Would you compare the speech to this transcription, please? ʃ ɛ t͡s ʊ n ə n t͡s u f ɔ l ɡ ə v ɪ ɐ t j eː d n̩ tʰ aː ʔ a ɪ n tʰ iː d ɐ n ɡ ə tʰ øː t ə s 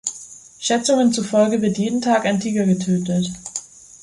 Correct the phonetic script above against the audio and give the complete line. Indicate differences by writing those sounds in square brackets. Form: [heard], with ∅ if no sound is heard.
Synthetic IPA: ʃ ɛ t͡s ʊ [ŋ] ə n t͡s u f ɔ l ɡ ə v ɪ ɐ t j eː d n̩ tʰ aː [k] a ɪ n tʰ iː [ɡ] ɐ [∅] ɡ ə tʰ øː t ə [t]